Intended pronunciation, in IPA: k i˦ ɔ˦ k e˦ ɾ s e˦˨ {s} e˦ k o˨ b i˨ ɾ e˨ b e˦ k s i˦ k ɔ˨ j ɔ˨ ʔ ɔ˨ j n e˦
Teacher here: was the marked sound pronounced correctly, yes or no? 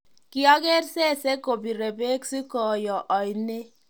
yes